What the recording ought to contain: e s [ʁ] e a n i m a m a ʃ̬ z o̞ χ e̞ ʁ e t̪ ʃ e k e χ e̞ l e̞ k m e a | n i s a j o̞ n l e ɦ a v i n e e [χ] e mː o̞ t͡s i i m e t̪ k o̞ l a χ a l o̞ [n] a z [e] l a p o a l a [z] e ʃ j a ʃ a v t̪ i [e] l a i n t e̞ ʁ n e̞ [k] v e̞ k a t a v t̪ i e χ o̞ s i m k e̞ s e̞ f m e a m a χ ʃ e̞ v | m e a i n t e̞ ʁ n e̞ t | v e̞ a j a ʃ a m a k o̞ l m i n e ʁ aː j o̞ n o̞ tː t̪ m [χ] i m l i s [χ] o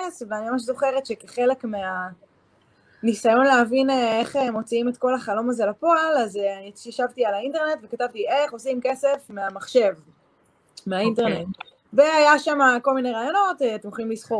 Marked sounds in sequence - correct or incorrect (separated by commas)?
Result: incorrect, correct, incorrect, correct, correct, incorrect, incorrect, correct, correct